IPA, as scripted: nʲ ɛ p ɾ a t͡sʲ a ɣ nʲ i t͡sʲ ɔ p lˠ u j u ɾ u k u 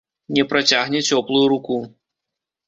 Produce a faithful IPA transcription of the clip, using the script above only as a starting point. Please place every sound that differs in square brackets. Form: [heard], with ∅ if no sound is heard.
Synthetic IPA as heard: nʲ ɛ p ɾ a t͡sʲ a ɣ nʲ [ɛ] t͡sʲ ɔ p lˠ u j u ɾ u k u